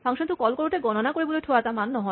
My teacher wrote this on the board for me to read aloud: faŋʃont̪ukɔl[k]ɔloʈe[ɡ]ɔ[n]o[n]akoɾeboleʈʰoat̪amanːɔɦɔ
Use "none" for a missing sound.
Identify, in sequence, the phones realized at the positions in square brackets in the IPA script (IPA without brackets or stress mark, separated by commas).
k, ɡ, n, n